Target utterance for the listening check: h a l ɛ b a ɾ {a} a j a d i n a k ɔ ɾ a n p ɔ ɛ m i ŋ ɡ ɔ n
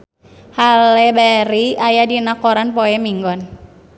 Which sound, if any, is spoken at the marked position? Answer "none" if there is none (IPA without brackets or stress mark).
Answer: i